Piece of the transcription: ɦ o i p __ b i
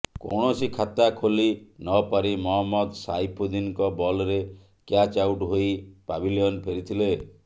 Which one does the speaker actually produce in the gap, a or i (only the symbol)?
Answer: a